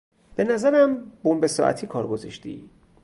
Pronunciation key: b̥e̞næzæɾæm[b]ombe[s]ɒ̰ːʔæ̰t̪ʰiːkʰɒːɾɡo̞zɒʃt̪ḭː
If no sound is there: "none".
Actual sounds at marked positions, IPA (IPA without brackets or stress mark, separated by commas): b, s